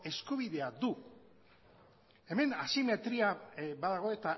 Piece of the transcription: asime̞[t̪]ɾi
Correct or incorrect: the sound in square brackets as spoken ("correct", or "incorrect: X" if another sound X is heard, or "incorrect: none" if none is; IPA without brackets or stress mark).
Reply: correct